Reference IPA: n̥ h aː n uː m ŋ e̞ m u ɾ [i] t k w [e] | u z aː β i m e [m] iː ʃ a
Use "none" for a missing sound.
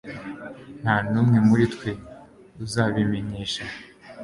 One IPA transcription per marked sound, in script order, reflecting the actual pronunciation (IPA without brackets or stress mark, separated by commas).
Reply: i, e, ɲ